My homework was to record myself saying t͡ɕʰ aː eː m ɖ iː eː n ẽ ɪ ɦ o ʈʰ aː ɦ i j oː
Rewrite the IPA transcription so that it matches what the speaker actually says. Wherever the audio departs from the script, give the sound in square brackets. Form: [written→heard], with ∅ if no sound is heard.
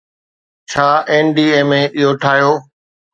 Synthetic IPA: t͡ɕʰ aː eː [m→n] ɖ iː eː [n→m] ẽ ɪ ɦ o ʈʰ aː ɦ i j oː